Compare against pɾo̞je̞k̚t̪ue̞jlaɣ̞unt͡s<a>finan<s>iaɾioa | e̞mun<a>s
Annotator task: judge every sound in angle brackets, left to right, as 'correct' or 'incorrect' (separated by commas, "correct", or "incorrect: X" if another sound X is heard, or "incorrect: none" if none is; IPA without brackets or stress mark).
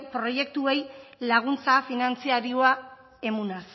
correct, incorrect: t͡s, correct